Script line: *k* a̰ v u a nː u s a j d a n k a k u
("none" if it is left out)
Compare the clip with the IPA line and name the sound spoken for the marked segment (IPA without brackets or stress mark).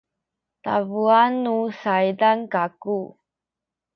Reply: t